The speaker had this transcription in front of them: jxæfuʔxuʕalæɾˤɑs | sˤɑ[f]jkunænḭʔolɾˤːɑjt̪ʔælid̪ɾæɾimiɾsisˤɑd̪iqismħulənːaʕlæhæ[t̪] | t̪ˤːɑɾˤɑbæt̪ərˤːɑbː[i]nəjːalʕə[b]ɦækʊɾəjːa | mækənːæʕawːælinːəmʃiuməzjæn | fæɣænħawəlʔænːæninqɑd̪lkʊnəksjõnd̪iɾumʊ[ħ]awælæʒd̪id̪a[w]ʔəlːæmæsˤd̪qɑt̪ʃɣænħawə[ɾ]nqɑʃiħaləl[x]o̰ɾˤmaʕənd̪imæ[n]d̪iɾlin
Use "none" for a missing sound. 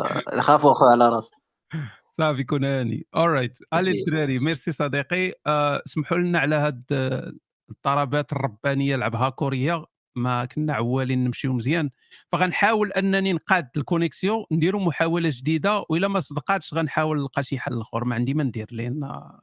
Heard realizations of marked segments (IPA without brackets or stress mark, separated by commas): f, d̪, æ, b, ħ, w, l, x, n